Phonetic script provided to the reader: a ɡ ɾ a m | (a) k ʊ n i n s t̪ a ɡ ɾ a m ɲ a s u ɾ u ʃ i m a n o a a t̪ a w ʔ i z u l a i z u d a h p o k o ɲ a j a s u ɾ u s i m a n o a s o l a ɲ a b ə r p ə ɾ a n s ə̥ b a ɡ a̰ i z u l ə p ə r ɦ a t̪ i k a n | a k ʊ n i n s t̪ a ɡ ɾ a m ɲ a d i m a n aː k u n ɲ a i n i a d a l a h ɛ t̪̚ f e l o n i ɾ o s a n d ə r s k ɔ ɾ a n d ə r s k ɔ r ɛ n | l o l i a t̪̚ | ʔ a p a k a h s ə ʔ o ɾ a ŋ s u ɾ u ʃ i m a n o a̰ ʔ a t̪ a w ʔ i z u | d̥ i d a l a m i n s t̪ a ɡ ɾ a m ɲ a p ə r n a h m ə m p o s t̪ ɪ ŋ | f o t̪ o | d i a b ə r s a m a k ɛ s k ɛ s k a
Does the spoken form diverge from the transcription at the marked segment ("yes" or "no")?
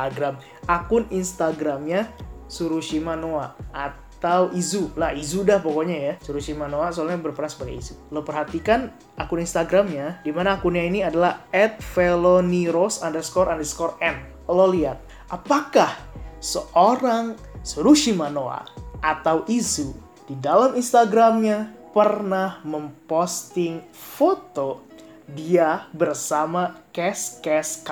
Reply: no